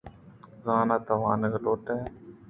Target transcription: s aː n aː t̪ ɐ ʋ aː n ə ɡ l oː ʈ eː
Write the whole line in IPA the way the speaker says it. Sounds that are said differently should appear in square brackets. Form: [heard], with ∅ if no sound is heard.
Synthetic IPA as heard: [z] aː n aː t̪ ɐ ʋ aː n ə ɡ l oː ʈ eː